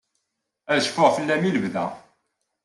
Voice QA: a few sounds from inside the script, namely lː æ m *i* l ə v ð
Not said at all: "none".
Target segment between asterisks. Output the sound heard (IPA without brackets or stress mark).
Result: i